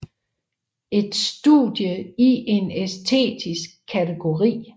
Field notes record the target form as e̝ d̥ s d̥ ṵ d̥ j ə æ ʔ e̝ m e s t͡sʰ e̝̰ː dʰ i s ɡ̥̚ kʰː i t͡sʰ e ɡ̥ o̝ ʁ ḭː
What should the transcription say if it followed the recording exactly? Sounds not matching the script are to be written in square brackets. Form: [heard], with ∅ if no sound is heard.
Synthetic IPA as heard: e̝ d̥ s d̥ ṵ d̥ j ə [i] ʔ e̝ [n] e s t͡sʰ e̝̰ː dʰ i s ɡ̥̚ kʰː [æ] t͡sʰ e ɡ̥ o̝ ʁ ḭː